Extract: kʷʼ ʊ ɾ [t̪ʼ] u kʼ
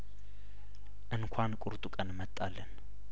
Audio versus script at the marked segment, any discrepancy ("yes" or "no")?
no